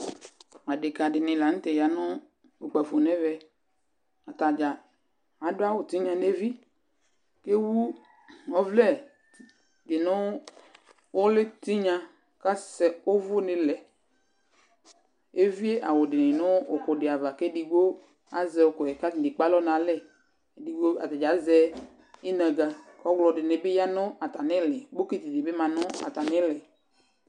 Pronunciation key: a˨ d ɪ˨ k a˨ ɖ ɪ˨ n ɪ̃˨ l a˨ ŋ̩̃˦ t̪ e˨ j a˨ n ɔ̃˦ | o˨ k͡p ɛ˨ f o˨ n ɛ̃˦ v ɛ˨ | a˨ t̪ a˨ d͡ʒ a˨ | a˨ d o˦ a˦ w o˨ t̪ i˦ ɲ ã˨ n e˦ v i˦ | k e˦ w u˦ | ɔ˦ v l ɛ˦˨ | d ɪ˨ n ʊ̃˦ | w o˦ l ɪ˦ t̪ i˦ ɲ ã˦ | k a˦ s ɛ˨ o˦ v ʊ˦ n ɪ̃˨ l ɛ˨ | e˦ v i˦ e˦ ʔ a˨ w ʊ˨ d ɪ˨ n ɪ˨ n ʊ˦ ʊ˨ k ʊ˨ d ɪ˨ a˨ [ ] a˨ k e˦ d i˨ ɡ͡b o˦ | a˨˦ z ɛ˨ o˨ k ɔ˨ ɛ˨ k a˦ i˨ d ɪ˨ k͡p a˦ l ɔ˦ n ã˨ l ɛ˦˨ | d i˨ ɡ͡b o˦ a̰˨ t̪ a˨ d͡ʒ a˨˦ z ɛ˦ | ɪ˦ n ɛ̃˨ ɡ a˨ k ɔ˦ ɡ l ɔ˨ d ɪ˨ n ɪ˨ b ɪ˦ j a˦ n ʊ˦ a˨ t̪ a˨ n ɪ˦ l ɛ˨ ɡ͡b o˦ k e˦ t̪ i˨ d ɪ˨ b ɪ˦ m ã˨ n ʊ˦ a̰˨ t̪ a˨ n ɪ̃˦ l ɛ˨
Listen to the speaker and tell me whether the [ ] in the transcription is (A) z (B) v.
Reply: B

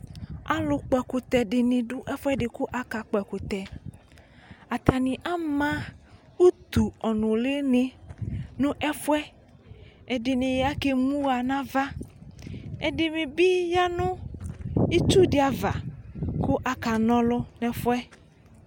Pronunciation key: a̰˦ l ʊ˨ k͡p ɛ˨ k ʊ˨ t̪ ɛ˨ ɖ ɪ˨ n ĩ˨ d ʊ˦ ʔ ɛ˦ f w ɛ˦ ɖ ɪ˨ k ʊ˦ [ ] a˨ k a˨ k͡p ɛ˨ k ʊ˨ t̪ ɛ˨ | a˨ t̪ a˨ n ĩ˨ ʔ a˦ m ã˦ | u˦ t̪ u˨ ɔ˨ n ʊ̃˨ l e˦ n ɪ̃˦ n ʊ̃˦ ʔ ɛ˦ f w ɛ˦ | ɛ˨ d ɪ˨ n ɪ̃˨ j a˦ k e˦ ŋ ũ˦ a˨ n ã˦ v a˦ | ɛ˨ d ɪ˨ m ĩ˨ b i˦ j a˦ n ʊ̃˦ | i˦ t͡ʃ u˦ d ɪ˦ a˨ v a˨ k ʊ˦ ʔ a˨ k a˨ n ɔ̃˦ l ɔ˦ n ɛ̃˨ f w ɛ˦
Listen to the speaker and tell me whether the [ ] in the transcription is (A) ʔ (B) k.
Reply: A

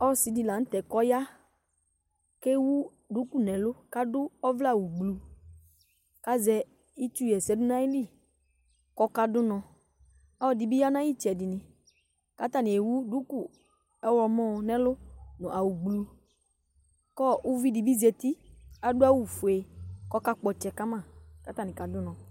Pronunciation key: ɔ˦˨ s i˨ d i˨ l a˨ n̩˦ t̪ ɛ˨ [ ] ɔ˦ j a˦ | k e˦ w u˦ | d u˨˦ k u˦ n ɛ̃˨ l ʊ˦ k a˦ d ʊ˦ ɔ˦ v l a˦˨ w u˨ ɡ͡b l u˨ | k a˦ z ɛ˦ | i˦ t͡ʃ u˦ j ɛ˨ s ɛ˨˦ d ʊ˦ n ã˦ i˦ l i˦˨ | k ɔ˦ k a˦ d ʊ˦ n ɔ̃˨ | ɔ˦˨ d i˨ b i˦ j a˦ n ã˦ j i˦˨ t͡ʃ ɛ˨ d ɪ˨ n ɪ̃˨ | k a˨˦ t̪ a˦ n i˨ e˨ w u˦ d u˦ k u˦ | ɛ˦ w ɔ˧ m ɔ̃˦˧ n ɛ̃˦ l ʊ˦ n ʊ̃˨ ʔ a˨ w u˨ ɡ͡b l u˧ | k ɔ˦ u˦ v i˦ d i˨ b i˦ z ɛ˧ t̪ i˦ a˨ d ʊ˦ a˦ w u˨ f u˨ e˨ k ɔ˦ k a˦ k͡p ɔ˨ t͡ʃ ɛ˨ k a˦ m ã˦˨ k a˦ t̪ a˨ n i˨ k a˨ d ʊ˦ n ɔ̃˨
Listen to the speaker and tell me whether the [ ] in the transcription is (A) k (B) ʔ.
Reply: A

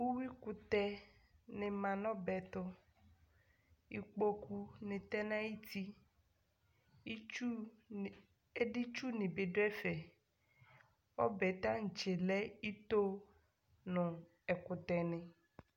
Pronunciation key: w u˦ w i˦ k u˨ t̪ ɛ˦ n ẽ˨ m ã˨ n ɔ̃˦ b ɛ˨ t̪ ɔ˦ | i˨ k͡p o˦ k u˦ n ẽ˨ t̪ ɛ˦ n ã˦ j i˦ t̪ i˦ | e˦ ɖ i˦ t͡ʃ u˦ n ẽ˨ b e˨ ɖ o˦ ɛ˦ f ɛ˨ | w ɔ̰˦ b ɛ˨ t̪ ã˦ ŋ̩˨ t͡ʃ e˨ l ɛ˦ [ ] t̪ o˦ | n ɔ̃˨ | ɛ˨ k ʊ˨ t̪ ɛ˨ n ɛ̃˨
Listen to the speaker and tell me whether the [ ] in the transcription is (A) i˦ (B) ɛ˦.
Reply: A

